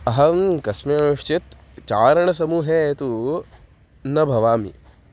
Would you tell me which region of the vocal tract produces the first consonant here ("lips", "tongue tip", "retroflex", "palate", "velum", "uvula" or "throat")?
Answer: throat